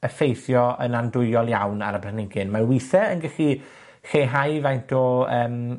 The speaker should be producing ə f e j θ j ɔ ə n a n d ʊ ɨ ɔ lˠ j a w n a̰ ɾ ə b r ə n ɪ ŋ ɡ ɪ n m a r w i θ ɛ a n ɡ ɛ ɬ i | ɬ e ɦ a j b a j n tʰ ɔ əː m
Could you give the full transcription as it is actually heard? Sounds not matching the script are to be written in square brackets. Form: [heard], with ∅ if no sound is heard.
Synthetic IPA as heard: ə f e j θ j ɔ ə n a n d ʊ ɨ ɔ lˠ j a w n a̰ ɾ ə b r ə n ɪ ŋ ɡ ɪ n m a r w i θ ɛ [ə] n ɡ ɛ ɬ i | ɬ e ɦ a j [v] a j n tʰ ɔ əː m